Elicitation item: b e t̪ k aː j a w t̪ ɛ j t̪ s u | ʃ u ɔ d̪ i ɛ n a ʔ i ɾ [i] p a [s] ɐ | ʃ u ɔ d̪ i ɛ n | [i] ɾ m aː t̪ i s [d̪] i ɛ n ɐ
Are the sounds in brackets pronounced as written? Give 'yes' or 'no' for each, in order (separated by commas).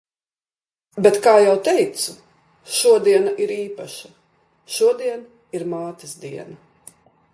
no, no, yes, yes